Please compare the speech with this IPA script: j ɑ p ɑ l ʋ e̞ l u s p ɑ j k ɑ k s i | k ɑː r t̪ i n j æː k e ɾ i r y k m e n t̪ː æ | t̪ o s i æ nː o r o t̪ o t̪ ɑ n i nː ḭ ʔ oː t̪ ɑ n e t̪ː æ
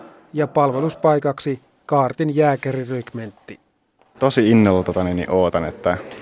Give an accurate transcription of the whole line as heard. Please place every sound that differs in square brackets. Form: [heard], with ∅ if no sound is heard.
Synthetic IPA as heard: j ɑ p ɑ l ʋ e̞ l u s p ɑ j k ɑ k s i | k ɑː r t̪ i n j æː k e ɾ i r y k m e n t̪ː [i] | t̪ o s i [i] nː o [l] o t̪ o t̪ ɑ n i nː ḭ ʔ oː t̪ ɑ n e t̪ː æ